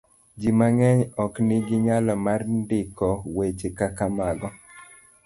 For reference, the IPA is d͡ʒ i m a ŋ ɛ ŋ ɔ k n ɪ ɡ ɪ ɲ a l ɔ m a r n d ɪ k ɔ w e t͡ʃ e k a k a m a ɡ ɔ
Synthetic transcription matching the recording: d͡ʒ i m a ŋ ɛ ɲ ɔ k n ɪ ɡ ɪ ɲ a l ɔ m a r n d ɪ k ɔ w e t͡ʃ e k a k a m a ɡ ɔ